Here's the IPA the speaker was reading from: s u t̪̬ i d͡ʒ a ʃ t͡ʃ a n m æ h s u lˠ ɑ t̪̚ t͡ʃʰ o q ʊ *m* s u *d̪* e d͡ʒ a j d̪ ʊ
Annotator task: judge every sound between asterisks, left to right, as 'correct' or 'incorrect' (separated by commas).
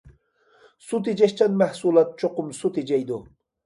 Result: correct, incorrect